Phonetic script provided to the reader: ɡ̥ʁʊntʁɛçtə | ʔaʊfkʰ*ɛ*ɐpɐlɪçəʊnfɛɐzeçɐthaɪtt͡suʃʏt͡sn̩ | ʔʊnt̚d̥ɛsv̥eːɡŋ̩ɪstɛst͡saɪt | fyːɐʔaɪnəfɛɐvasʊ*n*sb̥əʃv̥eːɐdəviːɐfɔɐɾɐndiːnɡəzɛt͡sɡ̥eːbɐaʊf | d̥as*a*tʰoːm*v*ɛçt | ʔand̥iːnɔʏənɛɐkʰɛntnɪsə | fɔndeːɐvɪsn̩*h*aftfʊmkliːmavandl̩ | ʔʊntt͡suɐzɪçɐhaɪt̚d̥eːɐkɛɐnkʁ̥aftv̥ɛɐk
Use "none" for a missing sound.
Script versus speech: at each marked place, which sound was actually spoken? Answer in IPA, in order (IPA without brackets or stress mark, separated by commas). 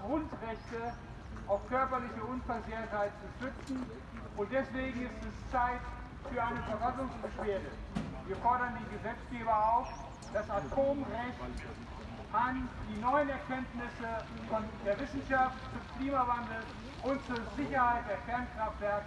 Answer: œ, ŋ, a, ʁ, ʃ